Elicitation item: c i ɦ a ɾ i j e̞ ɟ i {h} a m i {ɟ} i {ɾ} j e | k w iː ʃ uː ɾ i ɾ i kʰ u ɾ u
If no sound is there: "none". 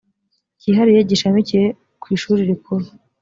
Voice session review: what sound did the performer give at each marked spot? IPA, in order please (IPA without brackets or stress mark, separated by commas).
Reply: ʃ, c, none